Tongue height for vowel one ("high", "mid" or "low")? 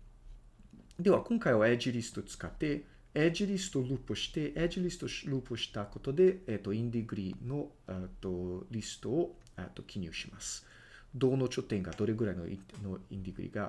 mid